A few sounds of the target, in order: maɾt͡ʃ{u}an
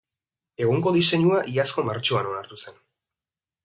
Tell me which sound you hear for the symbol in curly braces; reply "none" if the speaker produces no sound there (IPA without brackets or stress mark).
o